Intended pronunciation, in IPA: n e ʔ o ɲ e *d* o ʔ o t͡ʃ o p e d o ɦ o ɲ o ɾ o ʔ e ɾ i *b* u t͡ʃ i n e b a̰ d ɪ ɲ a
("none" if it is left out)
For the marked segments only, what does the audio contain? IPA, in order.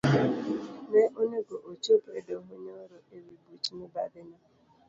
ɡ, b

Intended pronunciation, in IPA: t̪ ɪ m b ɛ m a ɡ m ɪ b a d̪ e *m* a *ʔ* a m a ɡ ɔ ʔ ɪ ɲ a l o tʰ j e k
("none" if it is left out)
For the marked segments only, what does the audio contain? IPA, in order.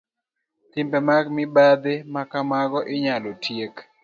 m, k

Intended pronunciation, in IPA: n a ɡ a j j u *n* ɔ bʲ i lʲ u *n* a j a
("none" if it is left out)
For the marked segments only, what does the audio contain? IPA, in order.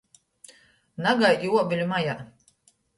none, m

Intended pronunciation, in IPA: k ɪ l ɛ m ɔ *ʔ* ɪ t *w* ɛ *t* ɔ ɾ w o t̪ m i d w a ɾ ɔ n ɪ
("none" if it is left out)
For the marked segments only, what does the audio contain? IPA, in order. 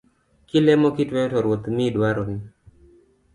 k, w, t

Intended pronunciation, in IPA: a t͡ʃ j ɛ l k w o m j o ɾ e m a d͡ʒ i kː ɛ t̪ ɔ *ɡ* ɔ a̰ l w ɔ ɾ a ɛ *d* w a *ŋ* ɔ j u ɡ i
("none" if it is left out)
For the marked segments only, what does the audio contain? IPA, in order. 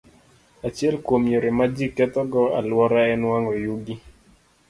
ɡ, n, ŋ

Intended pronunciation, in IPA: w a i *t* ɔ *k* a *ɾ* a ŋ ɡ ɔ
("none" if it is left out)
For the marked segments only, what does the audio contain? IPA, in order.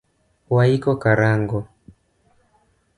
k, k, ɾ

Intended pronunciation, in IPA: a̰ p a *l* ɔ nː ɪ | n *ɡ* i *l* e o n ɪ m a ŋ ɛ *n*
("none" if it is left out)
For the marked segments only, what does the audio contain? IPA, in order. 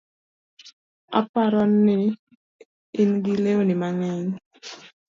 ɾ, ɡ, l, ɲ

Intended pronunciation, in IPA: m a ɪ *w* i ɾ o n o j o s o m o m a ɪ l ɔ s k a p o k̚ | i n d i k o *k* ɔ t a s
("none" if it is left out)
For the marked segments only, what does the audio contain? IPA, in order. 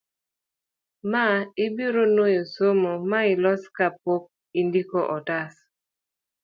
b, ʔ

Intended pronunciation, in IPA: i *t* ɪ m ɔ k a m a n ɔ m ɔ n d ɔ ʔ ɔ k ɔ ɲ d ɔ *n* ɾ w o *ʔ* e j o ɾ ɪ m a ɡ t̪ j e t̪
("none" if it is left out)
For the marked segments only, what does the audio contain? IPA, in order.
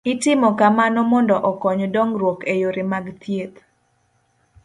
t, ŋ, k

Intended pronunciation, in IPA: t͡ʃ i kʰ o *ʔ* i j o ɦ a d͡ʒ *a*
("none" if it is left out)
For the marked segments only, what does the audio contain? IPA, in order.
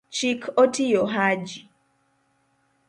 t, i

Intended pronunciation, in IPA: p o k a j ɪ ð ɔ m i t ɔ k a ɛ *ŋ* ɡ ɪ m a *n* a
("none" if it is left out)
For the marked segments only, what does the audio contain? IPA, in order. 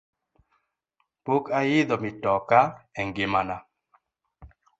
ŋ, n

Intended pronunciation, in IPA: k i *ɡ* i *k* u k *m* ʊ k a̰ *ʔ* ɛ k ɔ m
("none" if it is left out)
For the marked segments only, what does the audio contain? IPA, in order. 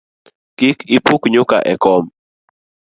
k, p, ɲ, ʔ

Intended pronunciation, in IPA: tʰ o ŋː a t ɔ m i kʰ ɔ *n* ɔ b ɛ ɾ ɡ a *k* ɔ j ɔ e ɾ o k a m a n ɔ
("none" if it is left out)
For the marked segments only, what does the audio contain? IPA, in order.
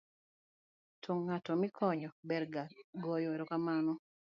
ɲ, ɡ

